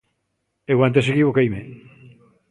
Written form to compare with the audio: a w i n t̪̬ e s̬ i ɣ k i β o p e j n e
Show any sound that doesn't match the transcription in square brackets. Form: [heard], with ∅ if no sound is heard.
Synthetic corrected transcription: [e] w [a] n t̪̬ e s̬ [e] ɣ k i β o [k] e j [m] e